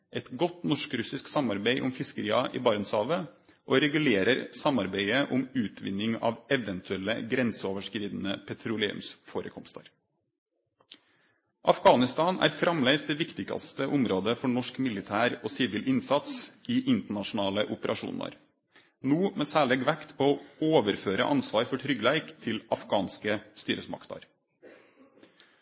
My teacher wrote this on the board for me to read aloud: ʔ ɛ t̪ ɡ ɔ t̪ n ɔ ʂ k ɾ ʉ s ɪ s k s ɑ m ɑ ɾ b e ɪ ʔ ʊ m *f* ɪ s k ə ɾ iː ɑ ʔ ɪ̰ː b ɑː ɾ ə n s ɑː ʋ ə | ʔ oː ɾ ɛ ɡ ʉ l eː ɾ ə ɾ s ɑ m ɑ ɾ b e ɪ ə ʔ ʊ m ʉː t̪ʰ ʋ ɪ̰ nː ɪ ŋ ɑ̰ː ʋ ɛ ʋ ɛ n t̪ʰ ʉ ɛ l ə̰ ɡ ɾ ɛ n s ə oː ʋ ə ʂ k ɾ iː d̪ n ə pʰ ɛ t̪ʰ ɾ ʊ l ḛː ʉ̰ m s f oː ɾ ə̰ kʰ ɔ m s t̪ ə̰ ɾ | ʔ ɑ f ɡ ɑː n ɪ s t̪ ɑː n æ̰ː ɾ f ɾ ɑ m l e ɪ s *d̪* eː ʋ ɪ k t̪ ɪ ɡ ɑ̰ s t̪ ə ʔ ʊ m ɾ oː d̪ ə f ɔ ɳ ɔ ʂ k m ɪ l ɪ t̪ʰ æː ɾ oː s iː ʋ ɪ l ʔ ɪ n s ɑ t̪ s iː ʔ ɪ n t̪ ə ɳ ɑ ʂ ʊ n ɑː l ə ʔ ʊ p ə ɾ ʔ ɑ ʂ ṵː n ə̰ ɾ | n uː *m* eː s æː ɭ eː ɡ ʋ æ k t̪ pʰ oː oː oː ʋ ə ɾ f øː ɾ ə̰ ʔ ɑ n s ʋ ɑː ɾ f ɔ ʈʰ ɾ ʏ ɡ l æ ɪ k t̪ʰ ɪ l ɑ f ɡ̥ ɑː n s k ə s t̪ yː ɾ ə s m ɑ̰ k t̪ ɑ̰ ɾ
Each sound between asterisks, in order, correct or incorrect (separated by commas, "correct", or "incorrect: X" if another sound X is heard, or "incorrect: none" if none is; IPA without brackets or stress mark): correct, correct, correct